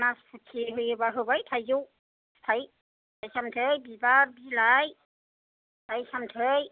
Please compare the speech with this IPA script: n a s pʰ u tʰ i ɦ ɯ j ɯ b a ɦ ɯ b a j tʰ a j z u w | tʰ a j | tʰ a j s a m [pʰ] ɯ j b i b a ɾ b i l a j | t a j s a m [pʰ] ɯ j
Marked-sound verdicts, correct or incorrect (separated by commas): incorrect, incorrect